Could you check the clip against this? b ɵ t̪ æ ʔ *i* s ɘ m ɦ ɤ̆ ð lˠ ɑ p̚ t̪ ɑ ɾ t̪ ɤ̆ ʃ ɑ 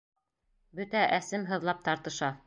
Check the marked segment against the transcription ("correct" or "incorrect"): incorrect